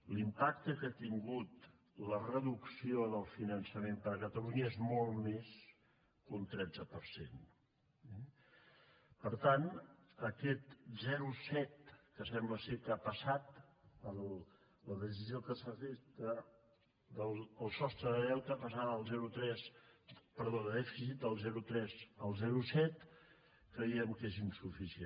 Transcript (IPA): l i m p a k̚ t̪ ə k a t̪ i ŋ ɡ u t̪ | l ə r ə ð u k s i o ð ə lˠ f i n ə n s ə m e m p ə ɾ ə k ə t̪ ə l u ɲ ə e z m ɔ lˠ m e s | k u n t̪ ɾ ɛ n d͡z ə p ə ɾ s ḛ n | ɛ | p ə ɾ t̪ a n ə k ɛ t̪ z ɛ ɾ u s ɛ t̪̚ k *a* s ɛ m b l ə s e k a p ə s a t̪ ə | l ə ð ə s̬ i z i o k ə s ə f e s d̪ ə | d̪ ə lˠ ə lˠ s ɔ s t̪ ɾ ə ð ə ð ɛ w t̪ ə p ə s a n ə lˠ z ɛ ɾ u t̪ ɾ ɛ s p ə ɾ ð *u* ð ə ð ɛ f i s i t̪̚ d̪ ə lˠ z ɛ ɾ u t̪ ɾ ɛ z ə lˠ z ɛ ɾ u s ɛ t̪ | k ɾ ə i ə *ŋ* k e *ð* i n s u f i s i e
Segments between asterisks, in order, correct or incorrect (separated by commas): incorrect, incorrect, incorrect, incorrect